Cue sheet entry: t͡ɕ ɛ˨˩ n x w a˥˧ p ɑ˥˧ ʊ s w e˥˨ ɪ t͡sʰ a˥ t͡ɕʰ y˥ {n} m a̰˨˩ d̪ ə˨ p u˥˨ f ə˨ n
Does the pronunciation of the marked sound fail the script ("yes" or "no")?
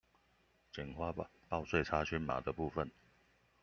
no